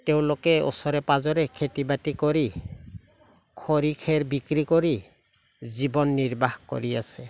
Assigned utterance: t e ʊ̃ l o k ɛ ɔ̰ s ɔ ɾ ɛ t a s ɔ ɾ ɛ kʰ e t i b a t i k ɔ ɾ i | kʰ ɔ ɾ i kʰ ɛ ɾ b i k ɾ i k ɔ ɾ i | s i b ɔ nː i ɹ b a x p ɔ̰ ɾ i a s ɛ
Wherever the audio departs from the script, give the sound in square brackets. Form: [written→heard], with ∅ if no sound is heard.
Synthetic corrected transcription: t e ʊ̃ l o k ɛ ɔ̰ s ɔ ɾ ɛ [t→p] a [s→z] ɔ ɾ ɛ kʰ e t i b a t i k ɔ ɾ i | kʰ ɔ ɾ i kʰ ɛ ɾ b i k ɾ i k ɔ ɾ i | [s→z] i b ɔ nː i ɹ b a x [p→k] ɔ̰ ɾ i a s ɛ

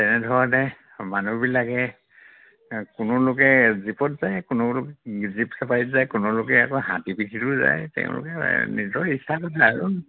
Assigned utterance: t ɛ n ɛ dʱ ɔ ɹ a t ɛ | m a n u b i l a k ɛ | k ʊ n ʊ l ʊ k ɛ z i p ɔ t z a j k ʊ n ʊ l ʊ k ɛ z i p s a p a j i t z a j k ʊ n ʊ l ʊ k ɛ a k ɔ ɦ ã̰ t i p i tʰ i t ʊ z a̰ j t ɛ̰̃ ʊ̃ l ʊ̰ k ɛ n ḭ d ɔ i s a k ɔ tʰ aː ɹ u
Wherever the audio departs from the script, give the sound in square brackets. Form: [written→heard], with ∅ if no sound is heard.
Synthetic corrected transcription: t ɛ n ɛ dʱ ɔ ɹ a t ɛ | m a n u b i l a k ɛ | k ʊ n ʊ l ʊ k ɛ z i p ɔ t z a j k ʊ n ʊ l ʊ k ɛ z i p s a p a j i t z a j k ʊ n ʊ l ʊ k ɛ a k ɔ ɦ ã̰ t i p i tʰ i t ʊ z a̰ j t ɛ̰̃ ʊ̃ l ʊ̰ k ɛ n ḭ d ɔ i s a k ɔ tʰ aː ɹ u

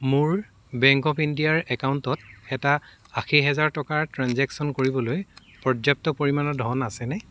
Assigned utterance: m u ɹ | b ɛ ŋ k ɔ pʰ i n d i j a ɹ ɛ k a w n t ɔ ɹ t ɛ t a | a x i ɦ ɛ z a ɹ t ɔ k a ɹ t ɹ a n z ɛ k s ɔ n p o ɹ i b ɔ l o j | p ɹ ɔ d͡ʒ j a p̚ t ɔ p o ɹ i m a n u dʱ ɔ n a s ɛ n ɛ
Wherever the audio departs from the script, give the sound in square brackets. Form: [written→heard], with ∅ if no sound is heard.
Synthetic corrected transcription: m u ɹ | b ɛ ŋ k ɔ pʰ i n d i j a ɹ ɛ k a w n t ɔ [ɹ→∅] t ɛ t a | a x i ɦ ɛ z a ɹ t ɔ k a ɹ t ɹ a n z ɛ k s ɔ n [p→k] o ɹ i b ɔ l o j | p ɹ ɔ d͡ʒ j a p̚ t ɔ p o ɹ i m a n [u→ɔ] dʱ ɔ n a s ɛ n ɛ

